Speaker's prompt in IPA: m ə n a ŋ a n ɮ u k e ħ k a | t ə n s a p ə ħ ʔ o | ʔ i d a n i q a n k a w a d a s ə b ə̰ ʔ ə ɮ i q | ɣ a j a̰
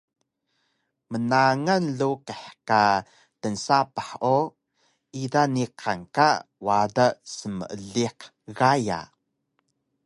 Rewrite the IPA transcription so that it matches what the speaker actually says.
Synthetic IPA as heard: m ə n a ŋ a n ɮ u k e ħ k a | t ə n s a p a ħ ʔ o | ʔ i d a n i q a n k a w a d a s ə m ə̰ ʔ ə ɮ i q | ɣ a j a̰

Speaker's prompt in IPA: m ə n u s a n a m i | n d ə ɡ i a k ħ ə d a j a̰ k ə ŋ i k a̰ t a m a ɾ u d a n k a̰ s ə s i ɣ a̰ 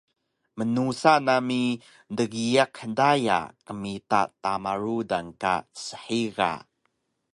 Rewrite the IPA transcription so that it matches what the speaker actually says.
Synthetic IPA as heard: m ə n u s a n a m i | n d ə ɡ i a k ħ ə d a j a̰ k ə m i t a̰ t a m a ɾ u d a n k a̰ s ə ħ i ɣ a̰

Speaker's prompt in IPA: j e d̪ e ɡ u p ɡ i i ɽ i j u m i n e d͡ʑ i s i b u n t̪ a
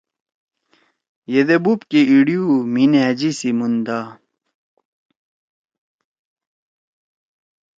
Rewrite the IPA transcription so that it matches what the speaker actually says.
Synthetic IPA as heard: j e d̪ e b u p k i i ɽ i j u m i n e d͡ʑ i s i m u n d̪ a

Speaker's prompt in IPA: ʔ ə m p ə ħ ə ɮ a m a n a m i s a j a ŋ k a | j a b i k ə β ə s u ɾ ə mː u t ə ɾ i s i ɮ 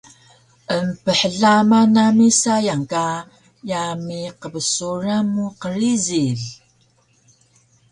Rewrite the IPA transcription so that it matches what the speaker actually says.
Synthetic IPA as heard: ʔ ə m p ə ħ ə ɮ a m a n a m i s a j a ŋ k a | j a m i q ə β ə s u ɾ a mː u q ə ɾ i z i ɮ

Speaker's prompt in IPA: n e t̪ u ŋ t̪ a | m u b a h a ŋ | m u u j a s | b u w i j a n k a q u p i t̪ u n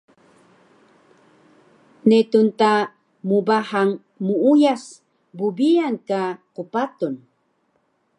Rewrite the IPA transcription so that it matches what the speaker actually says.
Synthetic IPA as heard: n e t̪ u n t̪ a | m u b a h a ŋ | m u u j a s | b u b i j a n k a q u p a t̪ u n

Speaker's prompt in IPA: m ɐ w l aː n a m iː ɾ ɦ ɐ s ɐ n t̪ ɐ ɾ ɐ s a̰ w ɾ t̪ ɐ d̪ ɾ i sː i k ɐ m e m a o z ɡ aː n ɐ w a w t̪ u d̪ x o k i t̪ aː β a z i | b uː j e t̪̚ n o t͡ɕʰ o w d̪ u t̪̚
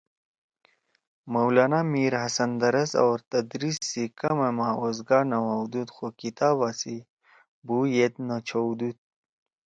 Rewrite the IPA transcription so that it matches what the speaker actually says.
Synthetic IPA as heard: m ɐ w l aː n a m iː ɾ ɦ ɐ s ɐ n d̪ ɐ ɾ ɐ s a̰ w ɾ t̪ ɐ d̪ ɾ i sː i k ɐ m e m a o z ɡ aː n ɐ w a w d̪ u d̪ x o k i t̪ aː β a s i | b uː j e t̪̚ n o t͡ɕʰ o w d̪ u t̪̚

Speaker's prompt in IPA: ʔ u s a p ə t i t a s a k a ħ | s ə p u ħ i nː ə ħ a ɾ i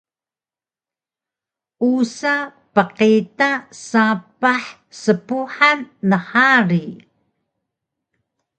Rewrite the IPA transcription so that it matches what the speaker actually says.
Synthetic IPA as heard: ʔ u s a p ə q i t a s a p a ħ | s ə p u ħ a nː ə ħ a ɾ i

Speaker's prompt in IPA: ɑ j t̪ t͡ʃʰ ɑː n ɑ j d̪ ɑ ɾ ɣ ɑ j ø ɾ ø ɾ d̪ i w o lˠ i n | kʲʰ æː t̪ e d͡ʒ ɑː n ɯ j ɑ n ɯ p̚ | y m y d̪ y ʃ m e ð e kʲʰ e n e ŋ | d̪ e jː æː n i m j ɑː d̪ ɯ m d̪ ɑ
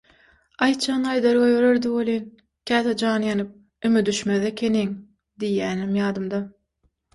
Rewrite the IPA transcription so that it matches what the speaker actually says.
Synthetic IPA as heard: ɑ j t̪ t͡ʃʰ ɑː n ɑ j d̪ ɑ ɾ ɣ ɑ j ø ɾ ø ɾ d̪ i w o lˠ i n | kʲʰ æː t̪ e d͡ʒ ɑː n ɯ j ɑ n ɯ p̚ | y m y d̪ y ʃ m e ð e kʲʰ e n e ŋ | d̪ i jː æː n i m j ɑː d̪ ɯ m d̪ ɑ

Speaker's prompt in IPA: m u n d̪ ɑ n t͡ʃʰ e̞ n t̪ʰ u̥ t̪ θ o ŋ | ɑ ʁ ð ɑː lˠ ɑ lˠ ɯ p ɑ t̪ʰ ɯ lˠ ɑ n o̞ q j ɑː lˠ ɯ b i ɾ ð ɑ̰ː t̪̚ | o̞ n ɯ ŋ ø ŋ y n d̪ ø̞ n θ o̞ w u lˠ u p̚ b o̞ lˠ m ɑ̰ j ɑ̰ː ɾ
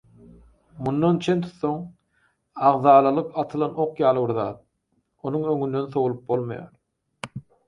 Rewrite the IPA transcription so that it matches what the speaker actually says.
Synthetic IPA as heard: m u n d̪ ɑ n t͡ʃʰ e̞ n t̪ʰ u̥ t̪ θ o ŋ | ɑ ʁ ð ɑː lˠ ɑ lˠ ɯ q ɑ t̪ʰ ɯ lˠ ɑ n o̞ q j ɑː lˠ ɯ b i ɾ ð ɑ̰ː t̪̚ | o̞ n u ŋ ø ŋ y n d̪ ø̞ n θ o̞ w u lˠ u p̚ b o̞ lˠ m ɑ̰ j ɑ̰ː ɾ

